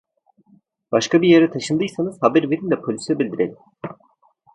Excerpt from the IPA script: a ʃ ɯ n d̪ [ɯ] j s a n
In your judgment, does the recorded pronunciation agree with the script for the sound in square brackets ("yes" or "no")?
yes